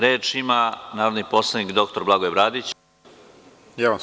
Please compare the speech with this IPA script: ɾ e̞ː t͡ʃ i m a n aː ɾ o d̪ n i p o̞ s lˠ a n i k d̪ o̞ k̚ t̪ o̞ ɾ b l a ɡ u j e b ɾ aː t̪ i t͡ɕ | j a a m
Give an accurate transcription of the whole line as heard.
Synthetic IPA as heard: ɾ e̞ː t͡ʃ i m a n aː ɾ o d̪ n i p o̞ s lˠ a n i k d̪ o̞ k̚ t̪ o̞ ɾ b l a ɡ o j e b ɾ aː d̪ i t͡ɕ | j a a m